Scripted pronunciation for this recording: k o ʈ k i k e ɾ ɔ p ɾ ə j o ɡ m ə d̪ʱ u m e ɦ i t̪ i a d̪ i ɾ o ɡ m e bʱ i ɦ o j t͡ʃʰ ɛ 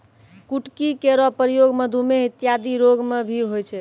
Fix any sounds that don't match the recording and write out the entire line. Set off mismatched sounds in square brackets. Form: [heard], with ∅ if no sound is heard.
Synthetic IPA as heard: k [u] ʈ k i k e ɾ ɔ p ɾ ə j o ɡ m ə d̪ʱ u m e ɦ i t̪ [j] a d̪ i ɾ o ɡ m e bʱ i ɦ o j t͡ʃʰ ɛ